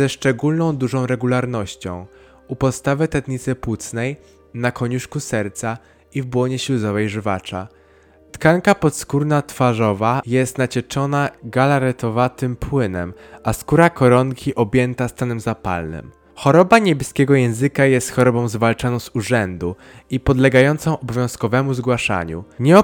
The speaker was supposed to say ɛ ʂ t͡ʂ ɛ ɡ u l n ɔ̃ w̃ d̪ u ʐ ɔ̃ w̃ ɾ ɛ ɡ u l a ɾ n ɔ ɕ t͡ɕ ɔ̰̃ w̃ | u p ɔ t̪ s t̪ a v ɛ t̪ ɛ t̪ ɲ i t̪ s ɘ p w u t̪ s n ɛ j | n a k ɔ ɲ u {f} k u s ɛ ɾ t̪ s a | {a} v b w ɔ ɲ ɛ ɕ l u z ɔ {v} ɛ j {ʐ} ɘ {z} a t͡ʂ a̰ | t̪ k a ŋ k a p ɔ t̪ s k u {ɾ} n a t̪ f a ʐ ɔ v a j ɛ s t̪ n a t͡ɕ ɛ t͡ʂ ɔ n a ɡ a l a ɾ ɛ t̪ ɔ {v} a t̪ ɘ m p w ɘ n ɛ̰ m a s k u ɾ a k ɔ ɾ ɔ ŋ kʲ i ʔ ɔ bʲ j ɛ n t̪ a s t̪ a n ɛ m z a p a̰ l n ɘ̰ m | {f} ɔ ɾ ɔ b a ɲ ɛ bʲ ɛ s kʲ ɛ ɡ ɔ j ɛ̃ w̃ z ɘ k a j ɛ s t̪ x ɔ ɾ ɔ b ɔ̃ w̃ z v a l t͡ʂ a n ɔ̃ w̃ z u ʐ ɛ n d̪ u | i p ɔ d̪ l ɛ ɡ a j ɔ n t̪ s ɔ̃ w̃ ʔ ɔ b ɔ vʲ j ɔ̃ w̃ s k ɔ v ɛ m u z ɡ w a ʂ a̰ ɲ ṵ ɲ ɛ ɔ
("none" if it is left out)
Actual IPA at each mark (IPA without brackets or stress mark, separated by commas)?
ʂ, i, v, ʐ, v, ɾ, v, x